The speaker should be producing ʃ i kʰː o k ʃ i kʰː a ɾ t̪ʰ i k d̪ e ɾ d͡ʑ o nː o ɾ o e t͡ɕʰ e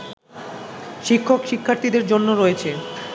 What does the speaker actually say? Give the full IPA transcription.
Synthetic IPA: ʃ i kʰː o k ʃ i kʰː a ɾ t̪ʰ i d̪ e ɾ d͡ʑ o nː o ɾ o e t͡ɕʰ e